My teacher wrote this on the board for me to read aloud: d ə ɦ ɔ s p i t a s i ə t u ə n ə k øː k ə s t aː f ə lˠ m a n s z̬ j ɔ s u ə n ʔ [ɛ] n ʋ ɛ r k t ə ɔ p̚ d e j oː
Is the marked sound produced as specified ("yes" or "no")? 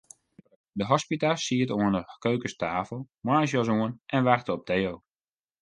yes